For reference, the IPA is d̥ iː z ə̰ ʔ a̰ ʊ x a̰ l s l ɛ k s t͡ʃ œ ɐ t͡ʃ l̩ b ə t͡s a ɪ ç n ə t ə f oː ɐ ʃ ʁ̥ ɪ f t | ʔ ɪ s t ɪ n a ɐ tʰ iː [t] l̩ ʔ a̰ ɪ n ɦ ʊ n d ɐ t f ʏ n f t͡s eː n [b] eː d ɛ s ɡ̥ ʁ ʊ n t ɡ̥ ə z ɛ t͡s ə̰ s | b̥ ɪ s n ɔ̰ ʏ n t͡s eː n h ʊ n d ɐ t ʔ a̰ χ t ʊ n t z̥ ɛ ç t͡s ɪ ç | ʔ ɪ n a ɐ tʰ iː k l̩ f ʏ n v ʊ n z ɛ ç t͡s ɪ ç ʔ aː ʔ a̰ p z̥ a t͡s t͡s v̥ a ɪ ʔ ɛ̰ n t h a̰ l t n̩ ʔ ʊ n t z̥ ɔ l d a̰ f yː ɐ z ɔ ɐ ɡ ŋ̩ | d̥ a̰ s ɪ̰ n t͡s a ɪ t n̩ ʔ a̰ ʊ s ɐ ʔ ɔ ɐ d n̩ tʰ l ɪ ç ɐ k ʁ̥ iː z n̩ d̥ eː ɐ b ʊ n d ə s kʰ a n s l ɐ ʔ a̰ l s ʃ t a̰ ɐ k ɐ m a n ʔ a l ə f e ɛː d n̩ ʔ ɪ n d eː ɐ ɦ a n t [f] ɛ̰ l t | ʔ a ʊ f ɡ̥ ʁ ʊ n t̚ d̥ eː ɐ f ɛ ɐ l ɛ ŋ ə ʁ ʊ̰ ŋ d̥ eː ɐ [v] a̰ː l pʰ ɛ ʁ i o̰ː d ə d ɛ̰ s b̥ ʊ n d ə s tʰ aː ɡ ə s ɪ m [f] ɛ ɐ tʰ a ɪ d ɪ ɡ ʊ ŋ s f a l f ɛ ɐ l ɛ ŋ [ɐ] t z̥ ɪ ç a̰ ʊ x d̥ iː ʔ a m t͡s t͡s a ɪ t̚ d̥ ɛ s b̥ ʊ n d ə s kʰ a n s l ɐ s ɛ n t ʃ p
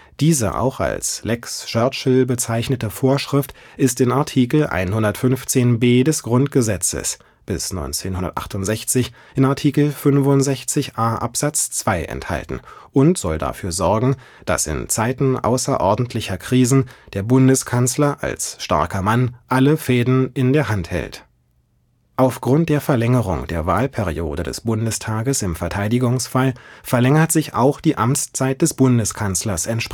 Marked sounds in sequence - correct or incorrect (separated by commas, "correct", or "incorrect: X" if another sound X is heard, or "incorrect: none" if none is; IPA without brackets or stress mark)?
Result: incorrect: k, correct, incorrect: h, correct, correct, correct